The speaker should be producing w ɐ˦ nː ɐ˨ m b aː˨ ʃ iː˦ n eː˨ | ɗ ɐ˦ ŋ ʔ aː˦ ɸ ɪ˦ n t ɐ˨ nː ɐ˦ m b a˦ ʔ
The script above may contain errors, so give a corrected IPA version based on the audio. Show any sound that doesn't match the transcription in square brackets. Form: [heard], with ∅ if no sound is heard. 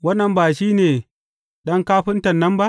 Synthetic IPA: w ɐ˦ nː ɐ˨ m b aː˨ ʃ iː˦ n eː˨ | ɗ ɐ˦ ŋ [k] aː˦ ɸ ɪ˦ n t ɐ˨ nː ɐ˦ m b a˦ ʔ